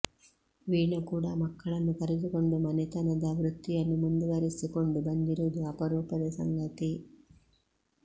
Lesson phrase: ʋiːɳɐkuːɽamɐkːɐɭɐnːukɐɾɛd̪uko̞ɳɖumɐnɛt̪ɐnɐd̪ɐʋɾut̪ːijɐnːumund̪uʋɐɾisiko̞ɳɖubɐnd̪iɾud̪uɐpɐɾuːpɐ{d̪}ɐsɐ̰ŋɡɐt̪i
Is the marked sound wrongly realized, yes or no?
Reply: no